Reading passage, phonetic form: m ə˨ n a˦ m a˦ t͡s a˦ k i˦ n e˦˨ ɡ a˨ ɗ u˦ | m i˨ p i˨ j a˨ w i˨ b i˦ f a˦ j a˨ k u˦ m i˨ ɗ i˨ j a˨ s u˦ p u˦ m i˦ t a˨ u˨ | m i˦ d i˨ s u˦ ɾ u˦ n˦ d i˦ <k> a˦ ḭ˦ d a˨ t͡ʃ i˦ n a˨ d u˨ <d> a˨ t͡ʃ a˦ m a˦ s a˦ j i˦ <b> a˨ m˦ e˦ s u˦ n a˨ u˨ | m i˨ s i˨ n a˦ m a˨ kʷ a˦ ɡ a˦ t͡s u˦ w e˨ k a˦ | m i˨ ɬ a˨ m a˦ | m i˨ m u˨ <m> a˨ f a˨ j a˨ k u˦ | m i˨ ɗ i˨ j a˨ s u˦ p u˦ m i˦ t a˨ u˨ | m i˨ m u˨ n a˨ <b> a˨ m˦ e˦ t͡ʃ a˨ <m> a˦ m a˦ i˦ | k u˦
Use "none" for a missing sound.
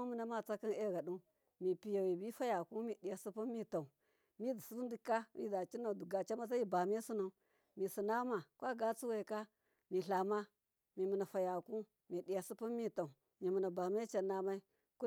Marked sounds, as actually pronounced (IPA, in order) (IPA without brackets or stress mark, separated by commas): k, ɡ, b, n, b, n